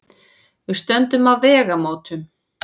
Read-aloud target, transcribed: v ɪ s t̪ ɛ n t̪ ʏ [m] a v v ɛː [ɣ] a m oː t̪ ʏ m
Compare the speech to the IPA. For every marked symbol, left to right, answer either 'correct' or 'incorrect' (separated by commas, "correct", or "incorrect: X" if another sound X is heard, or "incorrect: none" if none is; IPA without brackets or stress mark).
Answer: correct, correct